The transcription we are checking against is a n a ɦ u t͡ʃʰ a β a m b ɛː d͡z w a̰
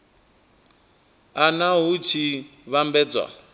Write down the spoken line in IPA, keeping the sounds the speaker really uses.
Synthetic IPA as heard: a n a ɦ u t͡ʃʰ i β a m b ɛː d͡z w a̰